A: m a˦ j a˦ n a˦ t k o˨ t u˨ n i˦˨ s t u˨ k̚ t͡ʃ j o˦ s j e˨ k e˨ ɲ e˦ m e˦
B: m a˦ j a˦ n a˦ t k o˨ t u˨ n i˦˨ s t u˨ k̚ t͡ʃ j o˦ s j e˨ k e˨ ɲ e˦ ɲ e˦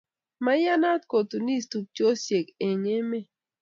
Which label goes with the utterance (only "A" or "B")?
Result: A